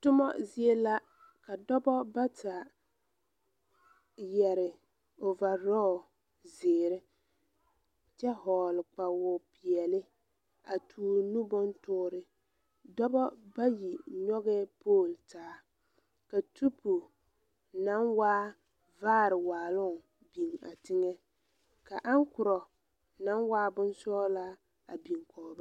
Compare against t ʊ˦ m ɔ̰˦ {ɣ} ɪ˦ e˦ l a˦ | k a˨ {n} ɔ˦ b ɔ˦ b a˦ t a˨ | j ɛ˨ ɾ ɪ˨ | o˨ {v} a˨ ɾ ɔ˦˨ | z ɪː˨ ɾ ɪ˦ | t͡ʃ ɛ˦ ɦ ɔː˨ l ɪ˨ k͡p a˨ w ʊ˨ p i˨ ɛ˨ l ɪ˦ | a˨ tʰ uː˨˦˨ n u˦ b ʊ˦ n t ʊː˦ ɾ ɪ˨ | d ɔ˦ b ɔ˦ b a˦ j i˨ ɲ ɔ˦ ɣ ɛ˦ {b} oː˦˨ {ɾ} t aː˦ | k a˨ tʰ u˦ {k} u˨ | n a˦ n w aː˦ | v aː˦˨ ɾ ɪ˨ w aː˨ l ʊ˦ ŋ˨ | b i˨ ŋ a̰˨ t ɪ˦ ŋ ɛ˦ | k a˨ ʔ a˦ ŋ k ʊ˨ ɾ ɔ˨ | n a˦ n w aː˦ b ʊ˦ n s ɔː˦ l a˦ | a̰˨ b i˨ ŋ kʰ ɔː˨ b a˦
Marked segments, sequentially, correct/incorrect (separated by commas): incorrect, incorrect, correct, incorrect, incorrect, incorrect